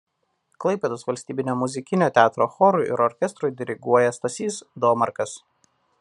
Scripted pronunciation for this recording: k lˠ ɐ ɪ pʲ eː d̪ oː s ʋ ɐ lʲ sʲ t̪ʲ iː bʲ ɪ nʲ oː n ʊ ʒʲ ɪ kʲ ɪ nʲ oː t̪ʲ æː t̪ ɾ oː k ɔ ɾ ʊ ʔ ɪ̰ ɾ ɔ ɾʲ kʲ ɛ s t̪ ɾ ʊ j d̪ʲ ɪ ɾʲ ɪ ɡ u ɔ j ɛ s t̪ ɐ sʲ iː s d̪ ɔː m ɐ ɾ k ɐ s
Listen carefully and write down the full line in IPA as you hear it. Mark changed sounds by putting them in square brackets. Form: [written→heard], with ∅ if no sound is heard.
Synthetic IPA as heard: k lˠ ɐ ɪ pʲ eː d̪ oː s ʋ ɐ lʲ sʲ t̪ʲ iː bʲ ɪ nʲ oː [n→m] ʊ [ʒʲ→zʲ] ɪ kʲ ɪ nʲ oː t̪ʲ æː t̪ ɾ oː [k→x] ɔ ɾ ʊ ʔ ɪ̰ ɾ ɔ ɾʲ kʲ ɛ s t̪ ɾ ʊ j d̪ʲ ɪ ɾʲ ɪ ɡ u ɔ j ɛ s t̪ ɐ sʲ iː s d̪ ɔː m ɐ ɾ k ɐ s